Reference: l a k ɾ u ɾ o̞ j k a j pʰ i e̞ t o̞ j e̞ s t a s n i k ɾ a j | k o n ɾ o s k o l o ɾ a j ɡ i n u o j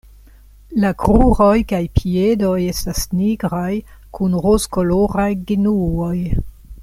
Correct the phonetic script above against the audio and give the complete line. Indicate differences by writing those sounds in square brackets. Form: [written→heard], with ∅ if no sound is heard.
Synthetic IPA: l a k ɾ u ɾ o̞ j k a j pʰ i e̞ [t→d] o̞ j e̞ s t a s n i [k→ɡ] ɾ a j | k [o→u] n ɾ o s k o l o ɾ a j ɡ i n u o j